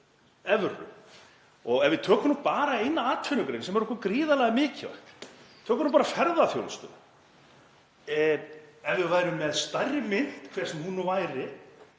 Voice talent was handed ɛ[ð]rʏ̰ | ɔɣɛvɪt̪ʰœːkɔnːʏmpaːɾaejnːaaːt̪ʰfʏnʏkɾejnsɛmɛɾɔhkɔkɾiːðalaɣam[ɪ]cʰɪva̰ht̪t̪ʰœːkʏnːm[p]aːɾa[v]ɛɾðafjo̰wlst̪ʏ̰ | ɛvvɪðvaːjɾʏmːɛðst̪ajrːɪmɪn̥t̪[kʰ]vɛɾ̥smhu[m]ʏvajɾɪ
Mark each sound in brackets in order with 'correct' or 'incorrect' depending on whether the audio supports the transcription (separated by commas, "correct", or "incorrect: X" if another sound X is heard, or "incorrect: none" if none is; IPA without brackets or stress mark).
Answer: incorrect: v, incorrect: ɪː, correct, incorrect: f, correct, incorrect: n